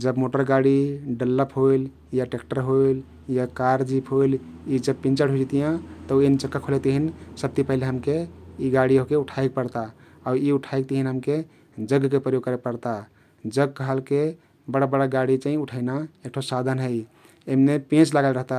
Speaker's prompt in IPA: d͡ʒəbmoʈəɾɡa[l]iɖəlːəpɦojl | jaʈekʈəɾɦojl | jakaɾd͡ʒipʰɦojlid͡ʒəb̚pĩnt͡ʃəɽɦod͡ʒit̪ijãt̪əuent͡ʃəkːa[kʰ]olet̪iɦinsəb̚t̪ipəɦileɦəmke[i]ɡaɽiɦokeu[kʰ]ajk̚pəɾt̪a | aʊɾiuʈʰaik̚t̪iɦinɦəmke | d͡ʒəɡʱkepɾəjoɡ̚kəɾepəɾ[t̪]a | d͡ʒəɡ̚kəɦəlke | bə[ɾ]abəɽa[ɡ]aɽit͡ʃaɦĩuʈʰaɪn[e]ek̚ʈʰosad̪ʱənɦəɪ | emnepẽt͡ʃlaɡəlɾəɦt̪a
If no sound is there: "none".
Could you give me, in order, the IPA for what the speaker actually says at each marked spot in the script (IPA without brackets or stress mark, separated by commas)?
ɽ, kʰ, i, ʈʰ, t̪, ɽ, ɡ, a